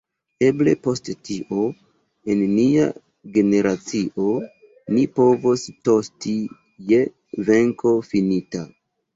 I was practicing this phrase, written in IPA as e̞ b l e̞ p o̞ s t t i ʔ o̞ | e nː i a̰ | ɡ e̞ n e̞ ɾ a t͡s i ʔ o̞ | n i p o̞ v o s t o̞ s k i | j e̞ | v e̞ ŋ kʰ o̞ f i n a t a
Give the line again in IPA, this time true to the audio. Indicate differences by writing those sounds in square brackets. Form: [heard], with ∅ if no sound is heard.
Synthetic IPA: e̞ b l e̞ p o̞ s t t i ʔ o̞ | e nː i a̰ | ɡ e̞ n e̞ ɾ a t͡s i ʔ o̞ | n i p o̞ v o s t o̞ s [t] i | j e̞ | v e̞ ŋ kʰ o̞ f i n [i] t a